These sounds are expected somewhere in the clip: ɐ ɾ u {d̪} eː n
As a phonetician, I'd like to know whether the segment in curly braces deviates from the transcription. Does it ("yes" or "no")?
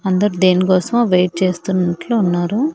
no